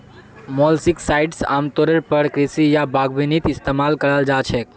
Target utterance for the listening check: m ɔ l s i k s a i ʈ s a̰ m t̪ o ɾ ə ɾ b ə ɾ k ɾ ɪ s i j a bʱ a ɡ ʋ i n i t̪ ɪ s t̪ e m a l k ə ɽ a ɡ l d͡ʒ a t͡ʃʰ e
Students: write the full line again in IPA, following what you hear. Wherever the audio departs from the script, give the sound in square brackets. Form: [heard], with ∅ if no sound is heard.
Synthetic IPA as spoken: m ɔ l s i k s a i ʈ s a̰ m t̪ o ɾ ə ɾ [p] ə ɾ k ɾ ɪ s i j a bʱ a ɡ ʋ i n i t̪ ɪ s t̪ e m a l k ə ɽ a [∅] l d͡ʒ a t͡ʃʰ e